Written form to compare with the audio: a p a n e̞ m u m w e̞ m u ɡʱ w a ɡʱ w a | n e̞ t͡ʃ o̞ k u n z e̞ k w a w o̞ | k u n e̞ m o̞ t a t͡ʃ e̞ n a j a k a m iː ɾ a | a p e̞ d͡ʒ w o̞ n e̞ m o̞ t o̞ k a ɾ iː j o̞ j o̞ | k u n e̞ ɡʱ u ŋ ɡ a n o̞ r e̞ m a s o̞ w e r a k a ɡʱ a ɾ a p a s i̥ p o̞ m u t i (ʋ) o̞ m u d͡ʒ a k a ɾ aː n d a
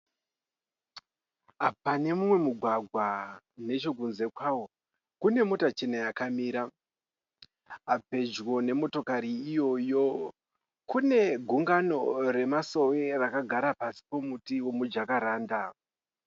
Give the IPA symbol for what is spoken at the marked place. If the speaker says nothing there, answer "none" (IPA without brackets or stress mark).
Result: w